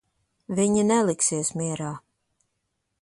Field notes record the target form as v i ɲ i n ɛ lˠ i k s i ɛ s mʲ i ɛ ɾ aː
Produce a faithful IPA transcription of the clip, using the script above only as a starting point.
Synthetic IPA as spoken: v i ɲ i n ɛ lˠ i k s i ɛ s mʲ i ɛ ɾ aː